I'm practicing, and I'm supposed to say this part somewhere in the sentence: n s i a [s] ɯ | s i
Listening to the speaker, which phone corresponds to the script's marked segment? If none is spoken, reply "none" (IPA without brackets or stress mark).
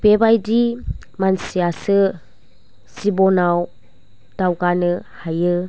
s